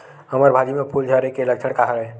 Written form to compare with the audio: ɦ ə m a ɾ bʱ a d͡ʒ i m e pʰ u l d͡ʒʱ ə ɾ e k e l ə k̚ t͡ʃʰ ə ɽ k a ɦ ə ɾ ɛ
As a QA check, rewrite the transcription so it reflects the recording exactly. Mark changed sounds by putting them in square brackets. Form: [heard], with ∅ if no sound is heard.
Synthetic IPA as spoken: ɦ ə m [ə] ɾ bʱ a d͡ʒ i m e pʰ u l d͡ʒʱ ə ɾ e k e l ə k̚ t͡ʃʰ ə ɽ k a ɦ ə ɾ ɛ